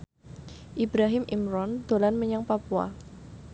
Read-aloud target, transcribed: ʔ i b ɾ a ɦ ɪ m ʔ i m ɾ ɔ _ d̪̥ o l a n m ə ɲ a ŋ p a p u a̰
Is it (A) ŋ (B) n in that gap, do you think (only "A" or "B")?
B